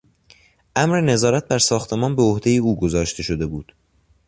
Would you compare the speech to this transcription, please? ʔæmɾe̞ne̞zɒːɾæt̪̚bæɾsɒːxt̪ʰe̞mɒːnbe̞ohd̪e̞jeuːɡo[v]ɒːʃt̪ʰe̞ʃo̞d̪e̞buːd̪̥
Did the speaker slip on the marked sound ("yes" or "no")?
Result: yes